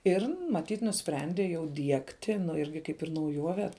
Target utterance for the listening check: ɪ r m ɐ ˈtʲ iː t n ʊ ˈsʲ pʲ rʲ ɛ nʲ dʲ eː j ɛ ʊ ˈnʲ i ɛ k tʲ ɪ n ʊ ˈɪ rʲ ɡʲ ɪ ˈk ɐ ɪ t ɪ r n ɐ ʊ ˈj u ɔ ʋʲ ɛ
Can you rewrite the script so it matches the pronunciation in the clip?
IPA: ɪ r m ɐ ˈtʲ iː t n ʊ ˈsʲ pʲ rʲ ɛ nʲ dʲ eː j ɛ ʊ ˈdʲ i ɛ k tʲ ɪ n ʊ ˈɪ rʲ ɡʲ ɪ ˈk ɐ ɪ p ɪ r n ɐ ʊ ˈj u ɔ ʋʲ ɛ